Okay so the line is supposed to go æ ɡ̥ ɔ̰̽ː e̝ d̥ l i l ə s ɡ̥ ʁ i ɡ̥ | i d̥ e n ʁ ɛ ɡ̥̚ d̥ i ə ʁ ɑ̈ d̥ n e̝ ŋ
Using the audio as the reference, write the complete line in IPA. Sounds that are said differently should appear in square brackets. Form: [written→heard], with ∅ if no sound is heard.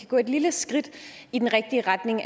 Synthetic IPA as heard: æ ɡ̥ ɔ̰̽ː e̝ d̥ l i l ə s ɡ̥ ʁ i [ɡ̥→d̥] | i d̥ e n ʁ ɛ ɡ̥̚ d̥ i ə ʁ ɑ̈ d̥ n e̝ ŋ